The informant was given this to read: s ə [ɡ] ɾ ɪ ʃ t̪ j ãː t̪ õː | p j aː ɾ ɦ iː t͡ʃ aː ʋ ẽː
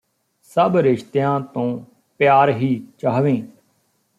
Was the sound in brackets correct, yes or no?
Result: no